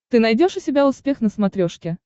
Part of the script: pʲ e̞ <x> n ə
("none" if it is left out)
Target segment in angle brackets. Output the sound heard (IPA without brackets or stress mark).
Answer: x